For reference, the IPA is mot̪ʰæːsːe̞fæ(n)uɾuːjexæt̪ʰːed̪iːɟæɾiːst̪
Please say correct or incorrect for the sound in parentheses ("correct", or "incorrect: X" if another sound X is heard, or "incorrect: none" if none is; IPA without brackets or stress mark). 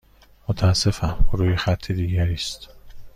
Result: incorrect: m